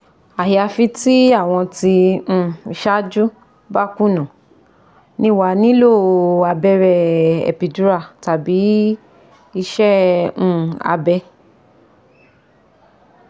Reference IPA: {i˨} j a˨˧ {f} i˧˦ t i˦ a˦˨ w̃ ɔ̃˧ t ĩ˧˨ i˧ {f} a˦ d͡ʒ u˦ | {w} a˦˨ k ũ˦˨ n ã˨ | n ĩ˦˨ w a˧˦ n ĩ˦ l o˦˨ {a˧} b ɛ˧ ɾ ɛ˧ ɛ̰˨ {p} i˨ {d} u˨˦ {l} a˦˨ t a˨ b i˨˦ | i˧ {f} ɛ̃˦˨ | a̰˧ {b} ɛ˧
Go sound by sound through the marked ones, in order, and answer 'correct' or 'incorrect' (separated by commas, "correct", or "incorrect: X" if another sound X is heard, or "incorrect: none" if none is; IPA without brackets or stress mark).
incorrect: a˨, correct, incorrect: ʃ, incorrect: b, correct, correct, correct, incorrect: ɾ, incorrect: ʃ, correct